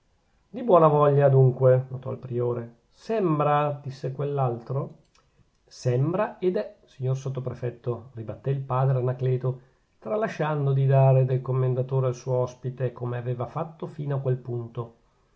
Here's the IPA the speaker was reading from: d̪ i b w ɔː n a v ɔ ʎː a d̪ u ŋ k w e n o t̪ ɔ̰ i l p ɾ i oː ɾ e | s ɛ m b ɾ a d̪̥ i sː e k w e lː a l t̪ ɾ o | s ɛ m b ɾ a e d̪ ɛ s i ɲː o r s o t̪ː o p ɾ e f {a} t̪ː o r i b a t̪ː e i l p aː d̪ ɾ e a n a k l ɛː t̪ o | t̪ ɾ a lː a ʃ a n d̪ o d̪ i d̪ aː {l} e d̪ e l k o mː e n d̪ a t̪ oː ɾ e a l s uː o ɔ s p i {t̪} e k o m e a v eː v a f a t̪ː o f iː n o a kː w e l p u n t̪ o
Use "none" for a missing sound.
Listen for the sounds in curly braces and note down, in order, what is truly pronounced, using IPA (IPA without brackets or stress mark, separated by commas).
ɛ, ɾ, t̪